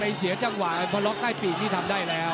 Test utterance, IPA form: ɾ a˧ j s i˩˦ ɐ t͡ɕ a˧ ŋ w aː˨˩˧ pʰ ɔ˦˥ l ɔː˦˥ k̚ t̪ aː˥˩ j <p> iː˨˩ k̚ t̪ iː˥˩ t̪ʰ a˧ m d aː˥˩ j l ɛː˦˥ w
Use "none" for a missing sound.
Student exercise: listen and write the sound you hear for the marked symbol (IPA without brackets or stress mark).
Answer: p